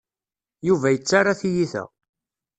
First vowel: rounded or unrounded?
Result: rounded